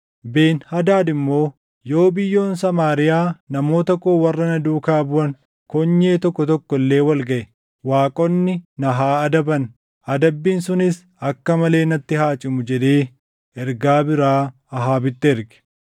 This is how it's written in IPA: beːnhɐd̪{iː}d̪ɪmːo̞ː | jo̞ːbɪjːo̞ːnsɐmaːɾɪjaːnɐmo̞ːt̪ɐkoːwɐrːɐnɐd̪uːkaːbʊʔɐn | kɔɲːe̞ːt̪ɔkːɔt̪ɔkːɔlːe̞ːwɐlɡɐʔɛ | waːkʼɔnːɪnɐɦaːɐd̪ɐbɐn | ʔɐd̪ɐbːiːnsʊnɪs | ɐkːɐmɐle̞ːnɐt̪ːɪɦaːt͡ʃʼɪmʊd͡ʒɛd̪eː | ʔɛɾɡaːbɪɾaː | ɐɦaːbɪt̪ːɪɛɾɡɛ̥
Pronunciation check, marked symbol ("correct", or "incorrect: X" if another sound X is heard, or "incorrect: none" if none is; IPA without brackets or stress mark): incorrect: aː